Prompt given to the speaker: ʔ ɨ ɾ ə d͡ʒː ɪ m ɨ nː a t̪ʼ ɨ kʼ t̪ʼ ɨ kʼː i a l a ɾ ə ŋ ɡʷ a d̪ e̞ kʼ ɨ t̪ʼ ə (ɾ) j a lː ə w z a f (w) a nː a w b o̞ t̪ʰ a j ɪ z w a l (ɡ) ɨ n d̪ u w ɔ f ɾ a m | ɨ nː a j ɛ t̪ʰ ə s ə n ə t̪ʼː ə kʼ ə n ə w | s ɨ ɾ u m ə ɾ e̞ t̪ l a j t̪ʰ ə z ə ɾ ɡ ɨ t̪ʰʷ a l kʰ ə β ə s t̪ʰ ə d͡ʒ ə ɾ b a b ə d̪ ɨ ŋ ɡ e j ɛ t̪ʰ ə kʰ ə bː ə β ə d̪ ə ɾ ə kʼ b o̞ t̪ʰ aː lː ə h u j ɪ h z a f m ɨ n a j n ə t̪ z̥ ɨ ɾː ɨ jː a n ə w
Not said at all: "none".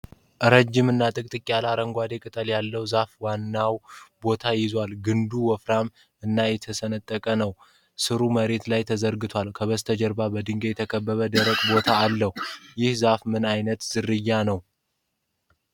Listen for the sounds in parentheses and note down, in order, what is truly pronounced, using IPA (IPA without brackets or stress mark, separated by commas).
l, w, ɡ